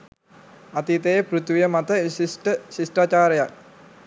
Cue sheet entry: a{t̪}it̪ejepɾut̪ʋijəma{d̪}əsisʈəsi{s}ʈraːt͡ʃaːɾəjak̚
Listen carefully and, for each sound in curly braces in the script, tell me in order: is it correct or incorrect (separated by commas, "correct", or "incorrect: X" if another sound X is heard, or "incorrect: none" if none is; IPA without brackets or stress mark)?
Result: correct, incorrect: t̪, correct